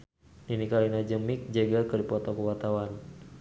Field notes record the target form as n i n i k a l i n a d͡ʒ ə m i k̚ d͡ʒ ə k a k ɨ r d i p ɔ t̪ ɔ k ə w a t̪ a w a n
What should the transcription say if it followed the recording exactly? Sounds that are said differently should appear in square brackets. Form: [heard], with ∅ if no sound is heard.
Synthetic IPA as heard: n i n i k a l i n a d͡ʒ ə m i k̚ d͡ʒ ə [ɡ] a k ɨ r d i p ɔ t̪ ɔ k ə w a t̪ a w a n